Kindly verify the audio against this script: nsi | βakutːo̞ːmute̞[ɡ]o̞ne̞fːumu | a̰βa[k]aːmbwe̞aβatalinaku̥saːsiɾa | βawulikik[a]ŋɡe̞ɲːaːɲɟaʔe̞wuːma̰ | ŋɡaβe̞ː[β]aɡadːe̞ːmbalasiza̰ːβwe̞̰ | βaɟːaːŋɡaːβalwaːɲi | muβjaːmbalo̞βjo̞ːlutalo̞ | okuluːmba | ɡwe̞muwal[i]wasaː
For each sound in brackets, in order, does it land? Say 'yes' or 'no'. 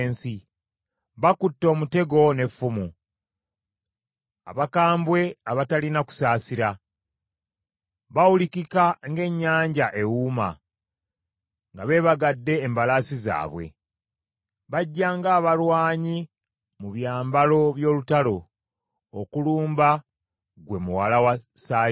yes, yes, yes, yes, no

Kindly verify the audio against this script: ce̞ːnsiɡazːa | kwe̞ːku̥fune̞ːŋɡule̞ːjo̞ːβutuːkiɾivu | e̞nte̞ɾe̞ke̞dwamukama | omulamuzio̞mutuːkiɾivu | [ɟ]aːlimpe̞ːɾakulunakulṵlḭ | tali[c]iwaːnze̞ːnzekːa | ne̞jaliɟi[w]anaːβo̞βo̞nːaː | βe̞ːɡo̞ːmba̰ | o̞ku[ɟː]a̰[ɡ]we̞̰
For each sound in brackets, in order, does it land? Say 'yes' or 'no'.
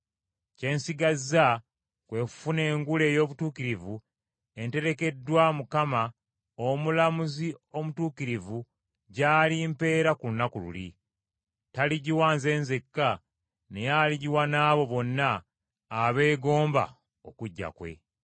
yes, no, yes, yes, no

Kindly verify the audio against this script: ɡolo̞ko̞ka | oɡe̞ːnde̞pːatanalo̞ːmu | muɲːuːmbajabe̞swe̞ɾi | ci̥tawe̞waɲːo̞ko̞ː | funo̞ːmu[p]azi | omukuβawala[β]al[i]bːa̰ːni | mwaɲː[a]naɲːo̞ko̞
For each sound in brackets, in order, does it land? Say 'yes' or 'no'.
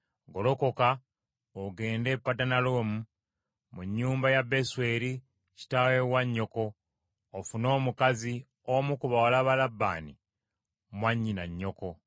no, yes, no, no

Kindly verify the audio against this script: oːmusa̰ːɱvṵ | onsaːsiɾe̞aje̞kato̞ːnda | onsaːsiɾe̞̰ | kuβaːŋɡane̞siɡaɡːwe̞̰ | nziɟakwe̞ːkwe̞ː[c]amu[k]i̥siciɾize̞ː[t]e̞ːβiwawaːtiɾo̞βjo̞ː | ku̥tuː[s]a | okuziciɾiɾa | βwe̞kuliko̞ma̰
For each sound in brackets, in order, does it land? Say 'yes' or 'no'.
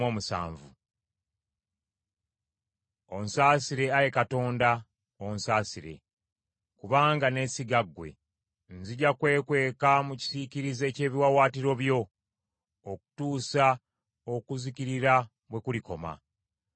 no, no, no, yes

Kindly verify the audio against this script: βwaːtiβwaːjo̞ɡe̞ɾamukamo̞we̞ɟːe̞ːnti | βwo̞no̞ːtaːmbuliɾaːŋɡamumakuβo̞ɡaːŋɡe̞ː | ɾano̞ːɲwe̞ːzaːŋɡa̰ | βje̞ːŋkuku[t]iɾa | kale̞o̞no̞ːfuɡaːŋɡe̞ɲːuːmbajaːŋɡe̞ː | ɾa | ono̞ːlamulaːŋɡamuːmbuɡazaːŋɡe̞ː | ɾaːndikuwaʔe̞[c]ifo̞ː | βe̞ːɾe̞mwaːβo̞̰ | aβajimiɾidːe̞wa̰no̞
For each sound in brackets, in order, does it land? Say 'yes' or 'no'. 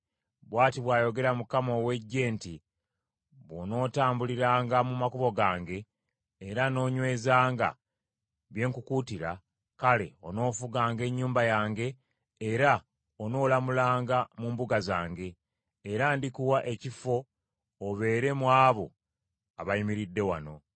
yes, yes

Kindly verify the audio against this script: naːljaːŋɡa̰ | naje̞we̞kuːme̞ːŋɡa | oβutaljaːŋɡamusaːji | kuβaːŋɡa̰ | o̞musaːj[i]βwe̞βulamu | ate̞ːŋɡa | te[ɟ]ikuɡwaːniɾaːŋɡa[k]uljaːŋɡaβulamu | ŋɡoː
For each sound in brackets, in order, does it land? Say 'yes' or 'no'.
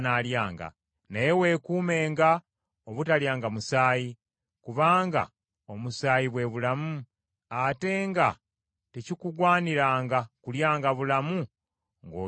yes, no, yes

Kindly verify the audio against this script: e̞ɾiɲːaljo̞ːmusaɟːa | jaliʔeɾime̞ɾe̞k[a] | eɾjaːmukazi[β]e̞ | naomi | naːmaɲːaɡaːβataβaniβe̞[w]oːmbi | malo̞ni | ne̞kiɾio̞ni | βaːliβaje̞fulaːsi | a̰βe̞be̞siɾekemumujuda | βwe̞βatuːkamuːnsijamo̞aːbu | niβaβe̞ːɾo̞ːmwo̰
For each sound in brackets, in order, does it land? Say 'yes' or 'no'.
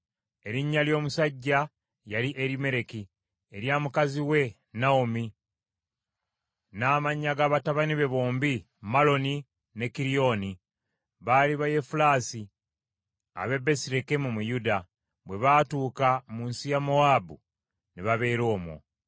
no, no, no

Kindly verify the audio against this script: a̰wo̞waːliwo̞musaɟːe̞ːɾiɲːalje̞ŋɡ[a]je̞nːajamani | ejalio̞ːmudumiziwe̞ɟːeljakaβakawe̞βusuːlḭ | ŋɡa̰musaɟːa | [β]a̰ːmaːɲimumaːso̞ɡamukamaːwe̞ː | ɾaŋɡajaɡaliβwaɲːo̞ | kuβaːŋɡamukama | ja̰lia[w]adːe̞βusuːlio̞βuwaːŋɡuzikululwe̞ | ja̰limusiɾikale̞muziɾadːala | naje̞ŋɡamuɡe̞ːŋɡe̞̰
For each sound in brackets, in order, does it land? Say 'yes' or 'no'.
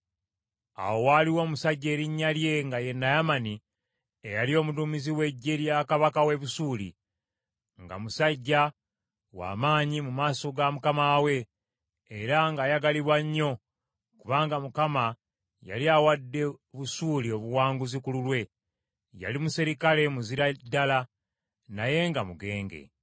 yes, no, yes

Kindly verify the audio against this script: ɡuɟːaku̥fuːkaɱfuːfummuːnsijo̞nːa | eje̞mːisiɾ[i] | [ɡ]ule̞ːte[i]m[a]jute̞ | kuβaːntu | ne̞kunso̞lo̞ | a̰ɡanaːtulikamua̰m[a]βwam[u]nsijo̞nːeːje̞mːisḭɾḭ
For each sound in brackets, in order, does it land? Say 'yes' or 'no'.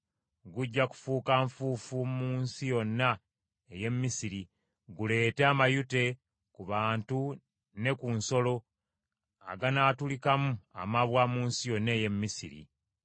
yes, yes, no, yes, yes, no

